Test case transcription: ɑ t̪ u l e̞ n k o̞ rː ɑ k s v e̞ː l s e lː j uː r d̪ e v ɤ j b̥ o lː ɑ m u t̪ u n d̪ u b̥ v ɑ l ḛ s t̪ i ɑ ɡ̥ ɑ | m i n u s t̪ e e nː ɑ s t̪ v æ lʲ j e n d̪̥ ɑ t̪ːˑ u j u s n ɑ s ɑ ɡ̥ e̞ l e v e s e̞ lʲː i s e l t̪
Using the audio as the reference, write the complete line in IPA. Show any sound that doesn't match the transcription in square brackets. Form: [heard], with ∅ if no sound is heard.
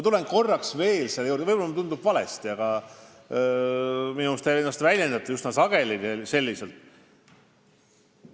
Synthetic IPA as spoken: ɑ t̪ u l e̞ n k o̞ rː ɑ k s v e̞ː l s e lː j uː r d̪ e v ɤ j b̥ o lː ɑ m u t̪ u n d̪ u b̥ v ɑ l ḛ s t̪ i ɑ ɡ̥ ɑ | m i n u s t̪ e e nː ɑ s t̪ v æ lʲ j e n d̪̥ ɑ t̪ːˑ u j u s n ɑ s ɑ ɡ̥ e̞ l [i] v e s e̞ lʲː i s e l t̪